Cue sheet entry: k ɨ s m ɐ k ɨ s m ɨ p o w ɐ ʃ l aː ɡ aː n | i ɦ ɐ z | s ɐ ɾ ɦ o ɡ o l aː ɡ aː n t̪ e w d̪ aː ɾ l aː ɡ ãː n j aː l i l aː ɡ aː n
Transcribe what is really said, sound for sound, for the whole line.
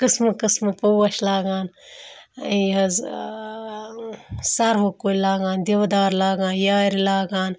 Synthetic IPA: k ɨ s m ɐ k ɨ s m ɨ p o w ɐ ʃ l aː ɡ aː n | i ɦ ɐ z | s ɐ ɾ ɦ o k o l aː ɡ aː n d̪ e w d̪ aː ɾ l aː ɡ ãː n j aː ɾ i l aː ɡ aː n